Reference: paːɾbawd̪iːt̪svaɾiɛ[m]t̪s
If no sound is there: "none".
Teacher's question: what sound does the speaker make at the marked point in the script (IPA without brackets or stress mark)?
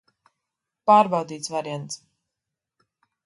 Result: n